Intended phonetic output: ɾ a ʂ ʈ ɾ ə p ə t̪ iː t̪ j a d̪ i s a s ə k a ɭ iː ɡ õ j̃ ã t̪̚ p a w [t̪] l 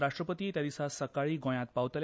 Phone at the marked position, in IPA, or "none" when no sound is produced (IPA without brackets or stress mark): t̪